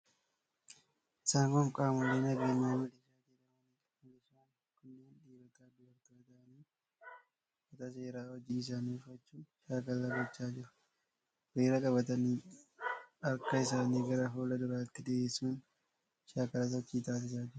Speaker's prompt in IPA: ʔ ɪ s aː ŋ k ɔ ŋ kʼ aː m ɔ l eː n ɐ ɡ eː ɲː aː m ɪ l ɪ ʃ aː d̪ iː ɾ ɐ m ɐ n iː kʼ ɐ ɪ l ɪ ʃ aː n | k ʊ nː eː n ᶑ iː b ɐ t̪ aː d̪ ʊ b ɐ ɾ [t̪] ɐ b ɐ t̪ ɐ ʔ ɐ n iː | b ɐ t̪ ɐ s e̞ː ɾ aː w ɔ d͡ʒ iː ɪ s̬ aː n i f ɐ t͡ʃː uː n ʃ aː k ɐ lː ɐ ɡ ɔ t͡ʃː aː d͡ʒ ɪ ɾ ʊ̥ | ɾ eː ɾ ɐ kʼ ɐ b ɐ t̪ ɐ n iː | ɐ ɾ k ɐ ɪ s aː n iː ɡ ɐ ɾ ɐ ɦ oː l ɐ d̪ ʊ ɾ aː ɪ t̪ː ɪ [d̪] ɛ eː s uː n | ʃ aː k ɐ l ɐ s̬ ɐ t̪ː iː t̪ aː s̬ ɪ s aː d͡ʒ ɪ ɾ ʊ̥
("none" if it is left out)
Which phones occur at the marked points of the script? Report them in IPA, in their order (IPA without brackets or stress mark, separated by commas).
t̪, d̪